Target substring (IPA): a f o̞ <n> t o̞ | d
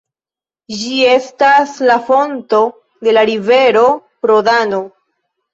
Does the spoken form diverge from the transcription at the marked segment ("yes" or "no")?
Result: no